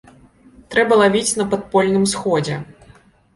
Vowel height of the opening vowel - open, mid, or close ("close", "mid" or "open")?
mid